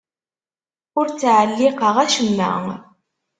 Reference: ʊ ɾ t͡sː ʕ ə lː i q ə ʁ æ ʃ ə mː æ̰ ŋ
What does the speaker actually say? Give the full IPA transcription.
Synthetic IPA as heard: ʊ ɾ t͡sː ʕ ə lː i q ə ʁ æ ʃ ə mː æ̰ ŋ